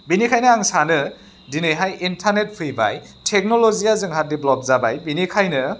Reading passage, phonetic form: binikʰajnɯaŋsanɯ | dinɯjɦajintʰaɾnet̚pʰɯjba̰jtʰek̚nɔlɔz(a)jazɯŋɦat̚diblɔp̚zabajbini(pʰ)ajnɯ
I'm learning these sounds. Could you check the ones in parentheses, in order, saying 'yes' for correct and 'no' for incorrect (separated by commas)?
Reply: no, no